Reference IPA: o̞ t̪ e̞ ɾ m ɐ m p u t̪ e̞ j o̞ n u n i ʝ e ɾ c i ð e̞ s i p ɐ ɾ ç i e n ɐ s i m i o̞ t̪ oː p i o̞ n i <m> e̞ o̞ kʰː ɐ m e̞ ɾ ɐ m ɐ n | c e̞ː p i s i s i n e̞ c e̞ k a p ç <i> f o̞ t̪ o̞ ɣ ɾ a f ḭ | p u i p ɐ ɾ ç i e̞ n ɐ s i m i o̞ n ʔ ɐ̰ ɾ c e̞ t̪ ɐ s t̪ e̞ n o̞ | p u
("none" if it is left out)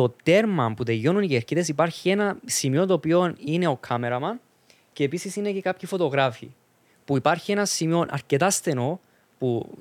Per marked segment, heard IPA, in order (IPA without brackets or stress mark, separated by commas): n, i